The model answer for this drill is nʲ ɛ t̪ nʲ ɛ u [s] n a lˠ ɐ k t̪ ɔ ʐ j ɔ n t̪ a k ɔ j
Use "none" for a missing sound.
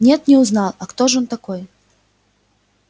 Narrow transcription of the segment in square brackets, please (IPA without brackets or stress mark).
z